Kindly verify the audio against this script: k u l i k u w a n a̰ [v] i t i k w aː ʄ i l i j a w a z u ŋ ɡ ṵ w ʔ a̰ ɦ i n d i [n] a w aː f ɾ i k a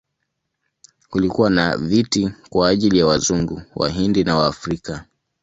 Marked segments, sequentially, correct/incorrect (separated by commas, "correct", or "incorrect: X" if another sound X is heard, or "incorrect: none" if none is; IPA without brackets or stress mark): correct, correct